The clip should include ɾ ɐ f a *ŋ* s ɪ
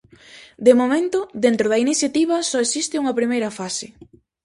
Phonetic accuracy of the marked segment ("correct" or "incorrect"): incorrect